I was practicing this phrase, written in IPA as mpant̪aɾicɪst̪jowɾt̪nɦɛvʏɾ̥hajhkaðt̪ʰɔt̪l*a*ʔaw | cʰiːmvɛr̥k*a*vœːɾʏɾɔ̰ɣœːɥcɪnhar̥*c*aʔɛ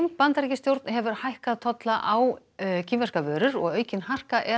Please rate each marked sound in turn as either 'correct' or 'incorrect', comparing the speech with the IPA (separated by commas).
correct, correct, incorrect